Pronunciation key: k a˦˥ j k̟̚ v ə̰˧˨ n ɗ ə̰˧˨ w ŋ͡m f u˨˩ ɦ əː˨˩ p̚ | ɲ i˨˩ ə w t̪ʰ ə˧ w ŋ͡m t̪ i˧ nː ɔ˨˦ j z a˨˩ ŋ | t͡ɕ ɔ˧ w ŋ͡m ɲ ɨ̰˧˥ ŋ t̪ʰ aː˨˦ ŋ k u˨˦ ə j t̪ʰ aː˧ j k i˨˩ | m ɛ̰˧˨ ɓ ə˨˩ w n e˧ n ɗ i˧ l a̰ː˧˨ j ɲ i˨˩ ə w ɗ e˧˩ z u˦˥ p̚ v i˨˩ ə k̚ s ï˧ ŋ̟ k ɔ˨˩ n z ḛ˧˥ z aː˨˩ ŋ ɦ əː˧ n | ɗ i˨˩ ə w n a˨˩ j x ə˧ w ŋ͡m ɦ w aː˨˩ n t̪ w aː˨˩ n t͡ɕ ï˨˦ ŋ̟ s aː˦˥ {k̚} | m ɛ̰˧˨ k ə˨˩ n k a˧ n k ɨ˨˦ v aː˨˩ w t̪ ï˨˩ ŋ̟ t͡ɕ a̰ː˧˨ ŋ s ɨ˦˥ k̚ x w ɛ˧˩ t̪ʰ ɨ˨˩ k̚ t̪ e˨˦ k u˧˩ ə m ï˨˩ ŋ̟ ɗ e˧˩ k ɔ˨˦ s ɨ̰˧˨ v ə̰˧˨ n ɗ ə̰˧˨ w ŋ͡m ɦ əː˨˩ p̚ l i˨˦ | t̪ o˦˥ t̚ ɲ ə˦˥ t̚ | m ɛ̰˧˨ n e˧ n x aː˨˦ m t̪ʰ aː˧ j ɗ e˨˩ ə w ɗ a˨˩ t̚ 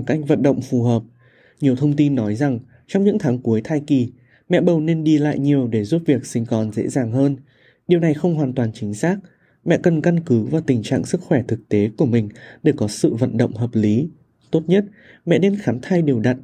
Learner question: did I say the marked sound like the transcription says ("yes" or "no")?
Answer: yes